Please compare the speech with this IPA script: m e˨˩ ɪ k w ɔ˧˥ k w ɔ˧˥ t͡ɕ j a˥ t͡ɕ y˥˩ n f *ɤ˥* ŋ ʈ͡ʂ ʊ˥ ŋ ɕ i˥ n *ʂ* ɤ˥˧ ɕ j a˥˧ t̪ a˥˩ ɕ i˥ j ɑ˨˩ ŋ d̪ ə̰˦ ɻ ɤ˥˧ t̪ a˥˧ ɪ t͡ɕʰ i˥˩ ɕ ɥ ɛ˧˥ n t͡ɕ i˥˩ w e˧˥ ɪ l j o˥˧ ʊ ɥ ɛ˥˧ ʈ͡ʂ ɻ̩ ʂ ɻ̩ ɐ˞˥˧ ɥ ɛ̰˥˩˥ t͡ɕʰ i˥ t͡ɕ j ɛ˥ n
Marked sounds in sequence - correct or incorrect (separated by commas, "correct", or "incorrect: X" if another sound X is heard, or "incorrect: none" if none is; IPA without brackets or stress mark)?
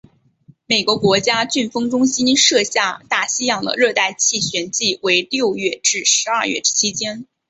correct, correct